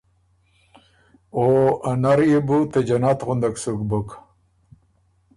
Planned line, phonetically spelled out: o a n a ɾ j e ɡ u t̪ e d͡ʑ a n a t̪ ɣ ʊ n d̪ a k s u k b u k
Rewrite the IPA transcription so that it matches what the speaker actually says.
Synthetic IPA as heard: o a n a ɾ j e b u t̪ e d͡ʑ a n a t̪ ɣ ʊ n d̪ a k s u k b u k

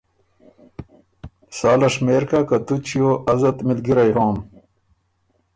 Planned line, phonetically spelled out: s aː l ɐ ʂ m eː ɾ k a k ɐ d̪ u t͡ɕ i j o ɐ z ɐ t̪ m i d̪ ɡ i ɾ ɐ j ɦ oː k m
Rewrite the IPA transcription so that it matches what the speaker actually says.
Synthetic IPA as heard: s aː l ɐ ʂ m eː ɾ k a k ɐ t̪ u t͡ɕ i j o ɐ z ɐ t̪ m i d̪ ɡ i ɾ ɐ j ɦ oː m

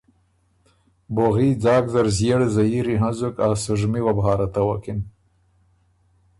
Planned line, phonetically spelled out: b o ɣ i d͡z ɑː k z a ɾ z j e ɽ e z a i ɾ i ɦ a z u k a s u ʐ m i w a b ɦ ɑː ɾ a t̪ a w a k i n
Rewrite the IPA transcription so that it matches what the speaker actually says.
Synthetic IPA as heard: b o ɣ i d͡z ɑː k z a ɾ z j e ɽ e z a i ɾ i ɦ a z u k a s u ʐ m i w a b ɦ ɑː ɾ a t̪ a w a k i n

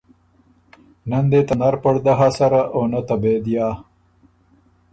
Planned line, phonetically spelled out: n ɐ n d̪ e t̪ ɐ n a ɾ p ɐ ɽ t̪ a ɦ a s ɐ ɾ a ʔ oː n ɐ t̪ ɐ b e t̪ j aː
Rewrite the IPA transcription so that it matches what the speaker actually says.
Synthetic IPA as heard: n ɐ n d̪ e t̪ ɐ n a ɾ p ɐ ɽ d̪ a ɦ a s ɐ ɾ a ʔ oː n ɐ t̪ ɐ b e d̪ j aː

